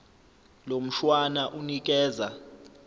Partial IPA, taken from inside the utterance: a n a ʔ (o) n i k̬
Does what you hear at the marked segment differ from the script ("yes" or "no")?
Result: yes